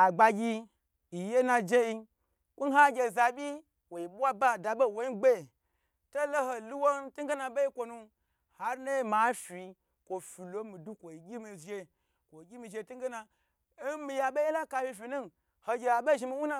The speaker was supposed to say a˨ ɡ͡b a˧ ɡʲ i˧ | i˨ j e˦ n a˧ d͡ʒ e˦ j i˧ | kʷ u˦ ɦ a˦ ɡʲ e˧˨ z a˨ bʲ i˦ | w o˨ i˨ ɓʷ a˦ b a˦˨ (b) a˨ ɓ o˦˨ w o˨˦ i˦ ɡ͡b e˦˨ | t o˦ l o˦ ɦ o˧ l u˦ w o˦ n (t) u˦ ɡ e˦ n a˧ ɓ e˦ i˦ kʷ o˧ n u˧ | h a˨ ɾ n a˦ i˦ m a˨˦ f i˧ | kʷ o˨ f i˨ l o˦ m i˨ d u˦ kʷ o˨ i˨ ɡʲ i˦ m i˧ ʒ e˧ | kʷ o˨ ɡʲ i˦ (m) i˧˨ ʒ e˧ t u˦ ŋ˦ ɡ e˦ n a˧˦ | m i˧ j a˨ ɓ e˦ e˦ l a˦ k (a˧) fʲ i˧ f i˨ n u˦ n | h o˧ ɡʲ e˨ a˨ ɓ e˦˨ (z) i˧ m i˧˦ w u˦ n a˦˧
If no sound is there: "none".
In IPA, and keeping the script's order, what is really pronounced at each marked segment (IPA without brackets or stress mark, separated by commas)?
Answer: d, t, m, a˧, ʒ